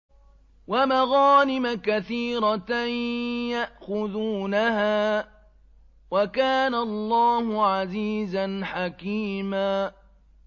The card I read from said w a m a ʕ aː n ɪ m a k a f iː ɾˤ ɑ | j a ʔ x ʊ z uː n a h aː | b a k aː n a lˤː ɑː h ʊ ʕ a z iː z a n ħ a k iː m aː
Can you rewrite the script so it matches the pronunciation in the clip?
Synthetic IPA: w a m a ɣ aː n ɪ m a k a θ iː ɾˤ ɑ | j a ʔ x ʊ ð uː n a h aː | w a k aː n a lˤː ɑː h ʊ ʕ a z iː z a n ħ a k iː m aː